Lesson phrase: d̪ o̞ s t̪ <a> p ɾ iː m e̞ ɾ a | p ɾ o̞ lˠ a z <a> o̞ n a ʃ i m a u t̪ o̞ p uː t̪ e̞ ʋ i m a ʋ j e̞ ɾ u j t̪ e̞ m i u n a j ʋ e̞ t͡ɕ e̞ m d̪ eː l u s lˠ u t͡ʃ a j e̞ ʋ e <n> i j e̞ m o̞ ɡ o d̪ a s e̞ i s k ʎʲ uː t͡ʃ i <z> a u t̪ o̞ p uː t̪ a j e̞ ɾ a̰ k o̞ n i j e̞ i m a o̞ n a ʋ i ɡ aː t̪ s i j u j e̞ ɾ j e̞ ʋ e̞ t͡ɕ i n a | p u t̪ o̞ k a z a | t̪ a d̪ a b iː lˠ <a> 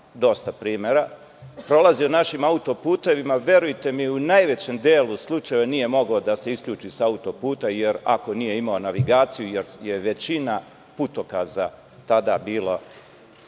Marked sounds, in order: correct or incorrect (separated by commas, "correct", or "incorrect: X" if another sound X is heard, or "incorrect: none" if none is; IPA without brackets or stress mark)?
correct, incorrect: i, correct, incorrect: s, correct